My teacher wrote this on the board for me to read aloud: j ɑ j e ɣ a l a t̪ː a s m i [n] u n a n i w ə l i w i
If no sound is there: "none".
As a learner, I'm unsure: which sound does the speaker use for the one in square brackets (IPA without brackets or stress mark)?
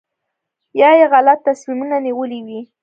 m